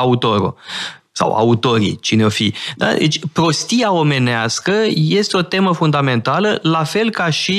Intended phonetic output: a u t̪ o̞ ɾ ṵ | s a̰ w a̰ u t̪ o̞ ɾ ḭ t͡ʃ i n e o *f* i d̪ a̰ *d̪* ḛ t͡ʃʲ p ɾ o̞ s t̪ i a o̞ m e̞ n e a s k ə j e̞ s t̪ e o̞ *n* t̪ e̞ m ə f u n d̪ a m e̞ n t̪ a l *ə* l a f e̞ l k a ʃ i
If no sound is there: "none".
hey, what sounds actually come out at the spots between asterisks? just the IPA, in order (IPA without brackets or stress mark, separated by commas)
f, d̪, none, ə